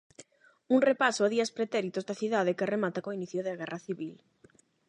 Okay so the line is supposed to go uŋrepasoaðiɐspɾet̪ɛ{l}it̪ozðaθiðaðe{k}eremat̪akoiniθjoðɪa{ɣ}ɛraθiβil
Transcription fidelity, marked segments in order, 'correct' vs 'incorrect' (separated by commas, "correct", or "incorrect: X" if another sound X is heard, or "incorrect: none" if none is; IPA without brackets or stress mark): incorrect: ɾ, correct, correct